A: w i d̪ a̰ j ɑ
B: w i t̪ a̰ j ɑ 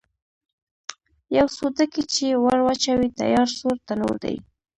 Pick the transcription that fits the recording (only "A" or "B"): B